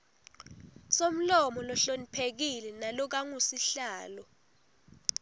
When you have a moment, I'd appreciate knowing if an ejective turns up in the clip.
no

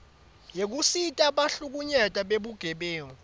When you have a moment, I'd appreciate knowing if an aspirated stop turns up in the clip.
no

